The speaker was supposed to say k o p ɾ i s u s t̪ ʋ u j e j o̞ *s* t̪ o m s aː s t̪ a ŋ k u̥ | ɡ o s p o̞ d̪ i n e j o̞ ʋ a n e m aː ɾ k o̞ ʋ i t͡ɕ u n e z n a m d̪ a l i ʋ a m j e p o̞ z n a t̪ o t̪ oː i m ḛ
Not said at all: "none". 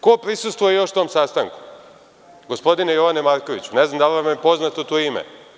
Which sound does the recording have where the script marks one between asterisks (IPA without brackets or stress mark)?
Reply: ʃ